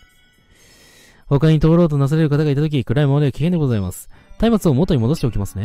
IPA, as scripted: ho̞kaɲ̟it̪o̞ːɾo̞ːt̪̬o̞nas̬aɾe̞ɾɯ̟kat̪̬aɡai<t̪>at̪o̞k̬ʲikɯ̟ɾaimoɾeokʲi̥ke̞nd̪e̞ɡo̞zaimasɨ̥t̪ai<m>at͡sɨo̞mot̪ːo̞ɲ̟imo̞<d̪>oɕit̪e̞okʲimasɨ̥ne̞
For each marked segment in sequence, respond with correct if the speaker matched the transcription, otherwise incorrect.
correct, correct, correct

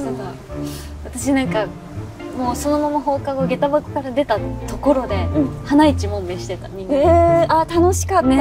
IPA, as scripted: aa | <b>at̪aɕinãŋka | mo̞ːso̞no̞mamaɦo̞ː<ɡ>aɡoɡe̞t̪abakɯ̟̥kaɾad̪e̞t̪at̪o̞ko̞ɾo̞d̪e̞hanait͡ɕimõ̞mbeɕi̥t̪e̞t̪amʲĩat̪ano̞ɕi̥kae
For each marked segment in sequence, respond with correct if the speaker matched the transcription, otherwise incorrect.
incorrect, incorrect

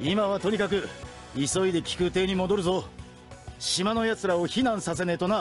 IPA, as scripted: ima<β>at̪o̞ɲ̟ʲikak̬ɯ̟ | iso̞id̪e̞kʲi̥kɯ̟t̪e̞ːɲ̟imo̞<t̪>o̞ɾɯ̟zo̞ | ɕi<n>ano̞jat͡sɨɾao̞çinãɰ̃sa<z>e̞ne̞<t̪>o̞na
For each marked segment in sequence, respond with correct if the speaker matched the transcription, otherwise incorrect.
correct, incorrect, incorrect, incorrect, correct

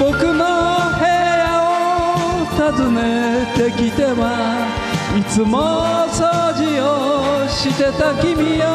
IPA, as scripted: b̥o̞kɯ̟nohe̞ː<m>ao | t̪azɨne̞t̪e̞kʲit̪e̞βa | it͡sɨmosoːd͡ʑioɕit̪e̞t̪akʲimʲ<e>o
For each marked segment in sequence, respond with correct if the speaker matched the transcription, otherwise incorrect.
incorrect, incorrect

